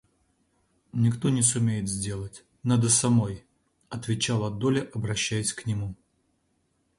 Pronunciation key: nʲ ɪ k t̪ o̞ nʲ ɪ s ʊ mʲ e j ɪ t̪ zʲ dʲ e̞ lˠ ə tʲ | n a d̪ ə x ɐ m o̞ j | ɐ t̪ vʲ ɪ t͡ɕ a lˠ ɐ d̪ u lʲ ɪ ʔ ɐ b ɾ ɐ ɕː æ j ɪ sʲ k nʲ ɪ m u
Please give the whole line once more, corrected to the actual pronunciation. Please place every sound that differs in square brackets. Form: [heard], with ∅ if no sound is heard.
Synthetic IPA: nʲ ɪ k t̪ o̞ nʲ ɪ s ʊ mʲ e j ɪ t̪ zʲ dʲ e̞ lˠ ə tʲ | n a d̪ ə [s] ɐ m o̞ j | ɐ t̪ vʲ ɪ t͡ɕ a lˠ ɐ d̪ [o] lʲ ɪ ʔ ɐ b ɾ ɐ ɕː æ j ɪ sʲ k nʲ ɪ m u